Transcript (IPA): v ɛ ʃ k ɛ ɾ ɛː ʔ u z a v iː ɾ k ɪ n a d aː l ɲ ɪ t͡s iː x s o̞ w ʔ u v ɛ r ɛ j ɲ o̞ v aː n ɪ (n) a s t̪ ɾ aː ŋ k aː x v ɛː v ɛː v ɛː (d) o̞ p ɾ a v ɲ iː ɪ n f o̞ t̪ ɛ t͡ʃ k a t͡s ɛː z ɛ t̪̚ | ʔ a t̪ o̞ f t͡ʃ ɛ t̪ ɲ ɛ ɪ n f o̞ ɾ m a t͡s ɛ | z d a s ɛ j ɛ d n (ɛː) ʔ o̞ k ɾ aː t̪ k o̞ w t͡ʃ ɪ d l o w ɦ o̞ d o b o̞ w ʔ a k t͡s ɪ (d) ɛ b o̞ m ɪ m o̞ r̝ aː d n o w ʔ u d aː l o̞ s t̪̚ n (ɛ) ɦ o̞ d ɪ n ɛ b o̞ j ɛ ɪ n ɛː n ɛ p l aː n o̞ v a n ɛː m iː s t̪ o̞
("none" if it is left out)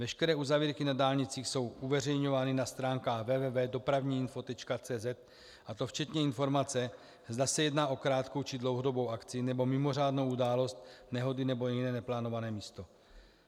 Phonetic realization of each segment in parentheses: n, d, aː, n, ɛ

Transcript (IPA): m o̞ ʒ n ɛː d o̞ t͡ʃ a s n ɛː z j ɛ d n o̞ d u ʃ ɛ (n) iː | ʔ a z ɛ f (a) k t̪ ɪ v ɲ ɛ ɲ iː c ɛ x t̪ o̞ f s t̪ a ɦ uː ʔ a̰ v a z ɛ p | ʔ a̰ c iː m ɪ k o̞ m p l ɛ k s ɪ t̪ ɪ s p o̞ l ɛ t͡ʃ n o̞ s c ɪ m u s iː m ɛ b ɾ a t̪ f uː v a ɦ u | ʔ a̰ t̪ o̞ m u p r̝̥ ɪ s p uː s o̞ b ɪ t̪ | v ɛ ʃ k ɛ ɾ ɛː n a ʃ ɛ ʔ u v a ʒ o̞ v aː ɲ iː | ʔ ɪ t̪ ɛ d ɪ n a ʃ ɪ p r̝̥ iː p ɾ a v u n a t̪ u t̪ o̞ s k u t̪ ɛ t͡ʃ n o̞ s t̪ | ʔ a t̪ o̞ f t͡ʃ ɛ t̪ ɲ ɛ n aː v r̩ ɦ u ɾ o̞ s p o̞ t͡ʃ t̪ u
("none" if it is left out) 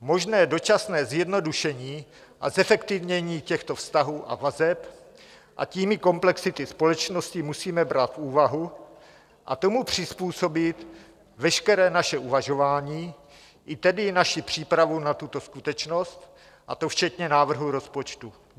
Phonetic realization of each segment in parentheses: ɲ, ɛ

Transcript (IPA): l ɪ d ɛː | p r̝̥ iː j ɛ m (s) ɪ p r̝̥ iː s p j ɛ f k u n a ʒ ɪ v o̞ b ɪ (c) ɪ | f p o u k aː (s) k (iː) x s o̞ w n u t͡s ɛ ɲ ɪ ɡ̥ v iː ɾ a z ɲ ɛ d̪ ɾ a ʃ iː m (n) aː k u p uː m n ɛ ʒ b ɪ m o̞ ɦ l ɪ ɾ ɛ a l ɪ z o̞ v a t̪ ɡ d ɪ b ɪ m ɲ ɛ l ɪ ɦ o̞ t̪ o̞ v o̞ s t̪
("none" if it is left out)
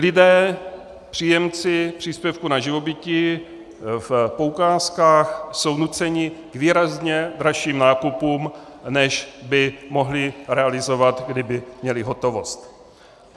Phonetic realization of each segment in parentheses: t͡s, c, s, aː, n

